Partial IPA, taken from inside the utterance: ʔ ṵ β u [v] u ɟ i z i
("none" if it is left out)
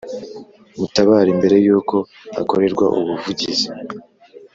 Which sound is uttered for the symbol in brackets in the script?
v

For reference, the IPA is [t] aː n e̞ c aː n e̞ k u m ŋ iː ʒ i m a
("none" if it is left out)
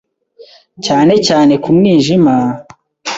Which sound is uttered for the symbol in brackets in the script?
c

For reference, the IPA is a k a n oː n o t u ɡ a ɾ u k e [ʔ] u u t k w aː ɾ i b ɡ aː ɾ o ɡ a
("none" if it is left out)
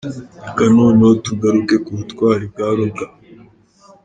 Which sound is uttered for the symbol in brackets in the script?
k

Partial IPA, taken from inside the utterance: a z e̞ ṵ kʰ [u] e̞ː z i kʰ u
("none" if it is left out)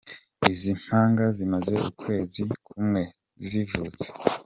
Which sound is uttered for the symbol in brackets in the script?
w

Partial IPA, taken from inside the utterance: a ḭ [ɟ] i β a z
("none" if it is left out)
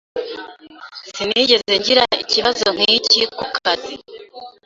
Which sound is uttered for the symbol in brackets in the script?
c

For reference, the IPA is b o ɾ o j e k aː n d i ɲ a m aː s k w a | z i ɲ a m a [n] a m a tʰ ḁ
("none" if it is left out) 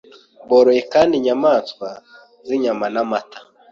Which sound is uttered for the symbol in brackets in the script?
n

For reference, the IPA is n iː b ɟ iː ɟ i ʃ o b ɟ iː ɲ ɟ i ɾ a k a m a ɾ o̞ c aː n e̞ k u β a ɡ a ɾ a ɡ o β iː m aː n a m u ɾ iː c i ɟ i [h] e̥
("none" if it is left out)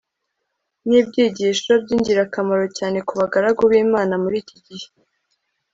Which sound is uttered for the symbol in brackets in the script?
h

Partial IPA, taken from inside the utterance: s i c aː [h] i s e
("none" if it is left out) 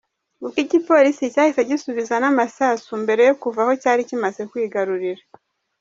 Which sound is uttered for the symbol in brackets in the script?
h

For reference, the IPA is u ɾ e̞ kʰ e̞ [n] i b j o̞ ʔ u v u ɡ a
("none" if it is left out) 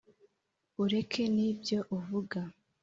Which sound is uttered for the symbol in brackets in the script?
n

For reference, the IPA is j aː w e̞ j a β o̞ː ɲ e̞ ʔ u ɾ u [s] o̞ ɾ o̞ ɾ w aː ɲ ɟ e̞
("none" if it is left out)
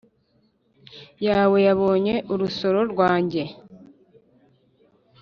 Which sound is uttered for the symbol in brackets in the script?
s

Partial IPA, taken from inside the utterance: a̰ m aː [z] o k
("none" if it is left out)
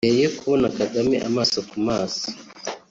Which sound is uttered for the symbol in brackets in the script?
s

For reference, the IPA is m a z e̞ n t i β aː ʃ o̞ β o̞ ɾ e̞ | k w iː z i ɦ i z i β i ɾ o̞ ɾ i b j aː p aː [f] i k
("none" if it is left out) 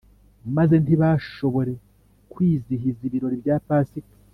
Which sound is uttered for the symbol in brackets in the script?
s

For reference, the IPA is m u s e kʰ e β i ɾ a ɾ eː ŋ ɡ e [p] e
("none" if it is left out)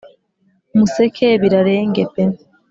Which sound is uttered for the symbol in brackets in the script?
p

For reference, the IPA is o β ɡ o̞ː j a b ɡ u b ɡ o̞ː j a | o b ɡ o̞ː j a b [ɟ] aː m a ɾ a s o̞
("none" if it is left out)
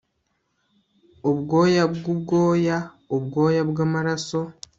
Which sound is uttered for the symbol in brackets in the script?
ɡ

